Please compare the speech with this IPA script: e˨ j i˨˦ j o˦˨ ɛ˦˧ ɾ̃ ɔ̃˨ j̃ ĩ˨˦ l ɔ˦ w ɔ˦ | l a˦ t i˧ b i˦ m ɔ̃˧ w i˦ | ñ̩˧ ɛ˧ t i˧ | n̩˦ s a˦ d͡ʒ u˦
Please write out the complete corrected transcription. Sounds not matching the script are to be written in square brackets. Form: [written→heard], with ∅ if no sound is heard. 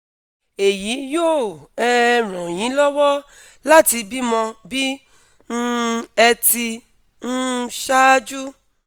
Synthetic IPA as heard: e˨ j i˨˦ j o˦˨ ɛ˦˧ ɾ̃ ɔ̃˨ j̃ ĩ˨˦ l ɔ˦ w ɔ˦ | l a˦ t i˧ b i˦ m ɔ̃˧ [w→b] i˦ | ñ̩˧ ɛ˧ t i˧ | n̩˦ [s→ʃ] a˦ d͡ʒ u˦